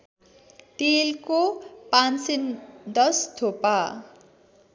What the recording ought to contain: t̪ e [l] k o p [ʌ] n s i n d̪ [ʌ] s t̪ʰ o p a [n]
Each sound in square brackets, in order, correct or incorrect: correct, incorrect: a, correct, incorrect: none

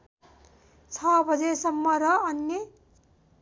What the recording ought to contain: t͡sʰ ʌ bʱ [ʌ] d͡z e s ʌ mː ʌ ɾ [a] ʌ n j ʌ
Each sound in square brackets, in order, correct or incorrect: correct, incorrect: ʌ

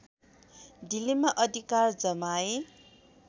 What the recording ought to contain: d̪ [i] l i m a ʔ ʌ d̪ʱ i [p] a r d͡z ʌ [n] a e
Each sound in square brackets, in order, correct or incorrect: correct, incorrect: k, incorrect: m

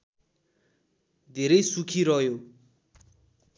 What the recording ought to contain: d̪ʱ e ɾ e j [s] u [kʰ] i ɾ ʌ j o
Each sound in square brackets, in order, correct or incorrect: correct, correct

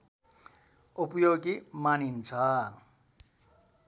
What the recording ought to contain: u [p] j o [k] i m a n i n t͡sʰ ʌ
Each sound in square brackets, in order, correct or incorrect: correct, incorrect: ɡ

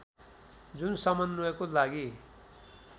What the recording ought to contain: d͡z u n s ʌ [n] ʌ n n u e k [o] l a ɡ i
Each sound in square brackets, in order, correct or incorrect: incorrect: m, correct

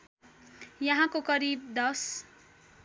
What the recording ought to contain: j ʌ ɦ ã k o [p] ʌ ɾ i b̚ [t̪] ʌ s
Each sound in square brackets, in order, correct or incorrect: incorrect: k, incorrect: d̪

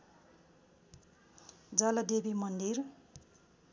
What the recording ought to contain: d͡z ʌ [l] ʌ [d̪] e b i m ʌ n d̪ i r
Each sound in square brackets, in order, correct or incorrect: correct, correct

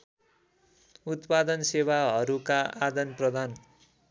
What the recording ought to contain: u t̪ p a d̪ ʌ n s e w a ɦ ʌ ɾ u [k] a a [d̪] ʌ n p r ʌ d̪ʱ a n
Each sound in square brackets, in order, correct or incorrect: correct, correct

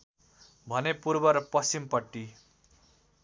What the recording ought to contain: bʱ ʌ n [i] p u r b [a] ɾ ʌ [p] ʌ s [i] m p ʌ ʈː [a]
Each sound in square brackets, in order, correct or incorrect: incorrect: e, incorrect: ʌ, correct, correct, incorrect: i

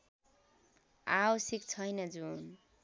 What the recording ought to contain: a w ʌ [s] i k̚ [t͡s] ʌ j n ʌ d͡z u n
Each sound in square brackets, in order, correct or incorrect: correct, incorrect: t͡sʰ

